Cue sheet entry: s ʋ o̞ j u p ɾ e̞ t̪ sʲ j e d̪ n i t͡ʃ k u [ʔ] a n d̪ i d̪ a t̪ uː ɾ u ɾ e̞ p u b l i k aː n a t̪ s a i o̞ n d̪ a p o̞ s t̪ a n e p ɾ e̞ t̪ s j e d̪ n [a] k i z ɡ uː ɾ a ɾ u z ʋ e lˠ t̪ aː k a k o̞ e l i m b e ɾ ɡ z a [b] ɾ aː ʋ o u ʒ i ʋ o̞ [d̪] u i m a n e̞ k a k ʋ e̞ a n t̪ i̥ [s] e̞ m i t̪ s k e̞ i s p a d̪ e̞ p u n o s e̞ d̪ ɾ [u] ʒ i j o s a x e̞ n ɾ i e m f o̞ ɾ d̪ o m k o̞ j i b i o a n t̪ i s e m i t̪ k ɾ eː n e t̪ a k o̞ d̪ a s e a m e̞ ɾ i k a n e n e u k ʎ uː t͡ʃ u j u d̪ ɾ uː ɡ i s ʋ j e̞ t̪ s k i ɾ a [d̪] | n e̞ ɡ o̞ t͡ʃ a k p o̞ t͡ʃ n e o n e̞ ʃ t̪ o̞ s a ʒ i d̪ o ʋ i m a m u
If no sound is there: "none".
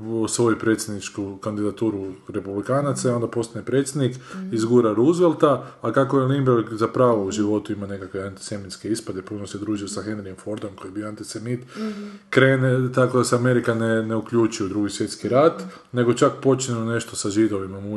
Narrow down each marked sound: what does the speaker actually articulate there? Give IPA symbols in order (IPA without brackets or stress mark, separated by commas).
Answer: k, i, p, t̪, s, uː, t̪